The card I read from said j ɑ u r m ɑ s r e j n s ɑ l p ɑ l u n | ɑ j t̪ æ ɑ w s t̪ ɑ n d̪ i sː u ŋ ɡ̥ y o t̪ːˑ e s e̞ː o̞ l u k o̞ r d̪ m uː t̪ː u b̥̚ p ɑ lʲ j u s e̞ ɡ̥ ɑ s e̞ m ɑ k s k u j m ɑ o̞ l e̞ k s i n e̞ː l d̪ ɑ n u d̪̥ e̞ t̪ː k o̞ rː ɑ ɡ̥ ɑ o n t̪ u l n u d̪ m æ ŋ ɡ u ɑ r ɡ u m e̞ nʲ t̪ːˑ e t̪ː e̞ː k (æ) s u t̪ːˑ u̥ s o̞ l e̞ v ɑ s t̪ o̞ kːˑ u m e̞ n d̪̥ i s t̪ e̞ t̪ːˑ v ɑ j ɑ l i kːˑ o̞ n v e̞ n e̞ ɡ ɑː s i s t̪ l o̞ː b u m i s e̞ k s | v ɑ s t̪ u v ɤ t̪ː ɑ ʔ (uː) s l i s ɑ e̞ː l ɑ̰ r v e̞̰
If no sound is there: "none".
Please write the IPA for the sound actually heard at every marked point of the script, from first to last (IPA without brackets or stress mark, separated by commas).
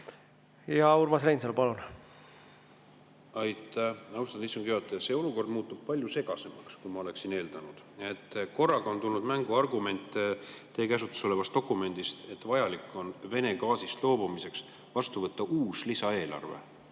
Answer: æ, uː